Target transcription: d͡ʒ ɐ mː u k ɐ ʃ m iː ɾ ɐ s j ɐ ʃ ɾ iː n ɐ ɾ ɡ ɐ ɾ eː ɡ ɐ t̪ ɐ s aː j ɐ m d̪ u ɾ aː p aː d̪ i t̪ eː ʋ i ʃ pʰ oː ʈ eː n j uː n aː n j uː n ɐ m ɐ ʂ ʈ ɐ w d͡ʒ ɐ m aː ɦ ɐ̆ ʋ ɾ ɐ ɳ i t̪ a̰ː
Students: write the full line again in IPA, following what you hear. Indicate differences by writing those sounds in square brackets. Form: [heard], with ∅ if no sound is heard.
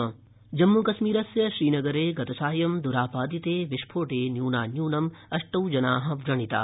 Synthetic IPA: d͡ʒ ɐ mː u k ɐ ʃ m iː ɾ ɐ s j ɐ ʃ ɾ iː n ɐ [∅] ɡ ɐ ɾ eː ɡ ɐ t̪ ɐ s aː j ɐ m d̪ u ɾ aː p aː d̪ i t̪ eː ʋ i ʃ pʰ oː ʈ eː n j uː n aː n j uː n ɐ m ɐ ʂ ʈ ɐ w d͡ʒ ɐ [n] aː ɦ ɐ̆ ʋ ɾ ɐ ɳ i t̪ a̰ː